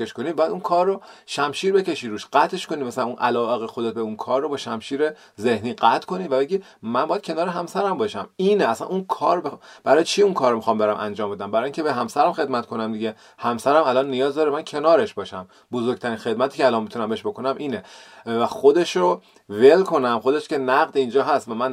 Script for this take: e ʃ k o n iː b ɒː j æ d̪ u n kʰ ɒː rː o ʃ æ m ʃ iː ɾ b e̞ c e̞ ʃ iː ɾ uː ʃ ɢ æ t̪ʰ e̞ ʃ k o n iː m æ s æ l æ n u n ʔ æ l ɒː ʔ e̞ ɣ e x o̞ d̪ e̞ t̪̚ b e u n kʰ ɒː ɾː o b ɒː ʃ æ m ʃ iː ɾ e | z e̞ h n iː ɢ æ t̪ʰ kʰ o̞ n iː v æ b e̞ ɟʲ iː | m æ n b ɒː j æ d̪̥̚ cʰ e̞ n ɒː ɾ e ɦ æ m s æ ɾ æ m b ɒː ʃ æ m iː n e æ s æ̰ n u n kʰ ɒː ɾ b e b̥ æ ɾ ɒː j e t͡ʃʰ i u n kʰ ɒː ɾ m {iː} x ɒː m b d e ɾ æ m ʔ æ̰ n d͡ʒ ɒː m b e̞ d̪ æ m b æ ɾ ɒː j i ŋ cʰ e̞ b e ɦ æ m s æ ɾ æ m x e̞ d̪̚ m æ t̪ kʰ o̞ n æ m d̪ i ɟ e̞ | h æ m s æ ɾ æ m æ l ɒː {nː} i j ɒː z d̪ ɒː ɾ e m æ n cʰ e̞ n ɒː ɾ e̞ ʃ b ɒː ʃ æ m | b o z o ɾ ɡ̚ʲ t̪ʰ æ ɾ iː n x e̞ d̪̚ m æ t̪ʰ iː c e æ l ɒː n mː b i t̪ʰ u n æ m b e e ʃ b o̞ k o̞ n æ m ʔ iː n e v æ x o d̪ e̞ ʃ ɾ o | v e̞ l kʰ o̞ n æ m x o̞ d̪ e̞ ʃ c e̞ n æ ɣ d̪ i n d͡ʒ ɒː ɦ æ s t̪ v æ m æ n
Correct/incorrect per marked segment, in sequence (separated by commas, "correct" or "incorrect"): incorrect, correct